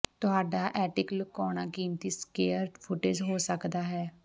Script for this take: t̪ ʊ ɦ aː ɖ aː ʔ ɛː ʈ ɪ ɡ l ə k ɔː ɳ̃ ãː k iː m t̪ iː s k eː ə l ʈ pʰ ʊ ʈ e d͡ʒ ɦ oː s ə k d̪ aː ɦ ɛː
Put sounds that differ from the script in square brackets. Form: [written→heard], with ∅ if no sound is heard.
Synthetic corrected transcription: t̪ ʊ ɦ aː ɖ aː ʔ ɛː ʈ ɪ [ɡ→k] l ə k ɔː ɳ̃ [ãː→aː] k iː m t̪ iː s k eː ə [l→ɾ] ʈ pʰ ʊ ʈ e d͡ʒ ɦ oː s ə k d̪ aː ɦ ɛː